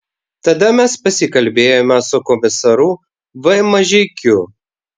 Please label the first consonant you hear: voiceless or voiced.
voiceless